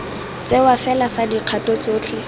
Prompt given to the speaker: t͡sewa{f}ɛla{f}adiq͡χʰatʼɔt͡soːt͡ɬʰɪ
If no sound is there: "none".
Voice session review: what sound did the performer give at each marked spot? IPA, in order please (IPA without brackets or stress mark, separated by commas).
f, f